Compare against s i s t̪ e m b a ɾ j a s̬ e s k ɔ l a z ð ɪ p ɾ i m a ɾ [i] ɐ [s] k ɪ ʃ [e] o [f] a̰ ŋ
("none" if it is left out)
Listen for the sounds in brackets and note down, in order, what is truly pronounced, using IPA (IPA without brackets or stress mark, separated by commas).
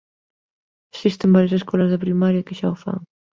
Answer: j, none, a, f